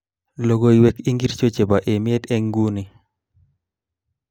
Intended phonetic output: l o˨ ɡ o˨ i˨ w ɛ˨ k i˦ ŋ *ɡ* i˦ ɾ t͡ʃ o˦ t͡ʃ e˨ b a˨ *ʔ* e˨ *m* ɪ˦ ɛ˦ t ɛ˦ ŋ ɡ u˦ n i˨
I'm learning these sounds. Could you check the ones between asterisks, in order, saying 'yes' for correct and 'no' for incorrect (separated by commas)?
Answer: yes, yes, yes